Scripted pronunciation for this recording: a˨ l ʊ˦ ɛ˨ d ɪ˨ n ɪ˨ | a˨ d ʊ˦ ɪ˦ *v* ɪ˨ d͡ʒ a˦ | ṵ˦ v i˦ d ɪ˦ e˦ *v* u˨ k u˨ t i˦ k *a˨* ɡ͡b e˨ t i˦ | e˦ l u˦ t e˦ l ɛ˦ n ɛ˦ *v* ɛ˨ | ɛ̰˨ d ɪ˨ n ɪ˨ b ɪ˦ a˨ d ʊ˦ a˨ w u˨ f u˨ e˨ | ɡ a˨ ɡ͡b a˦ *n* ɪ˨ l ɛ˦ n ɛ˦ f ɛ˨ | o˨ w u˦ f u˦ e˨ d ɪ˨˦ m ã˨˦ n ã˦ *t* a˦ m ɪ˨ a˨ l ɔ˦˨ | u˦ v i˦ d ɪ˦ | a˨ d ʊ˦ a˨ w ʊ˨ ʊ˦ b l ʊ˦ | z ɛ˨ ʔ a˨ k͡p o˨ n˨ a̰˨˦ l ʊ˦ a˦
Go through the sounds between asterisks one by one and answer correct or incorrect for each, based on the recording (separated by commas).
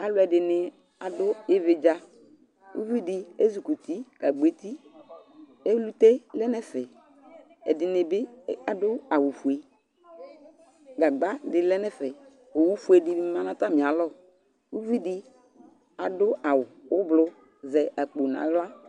correct, incorrect, correct, incorrect, incorrect, correct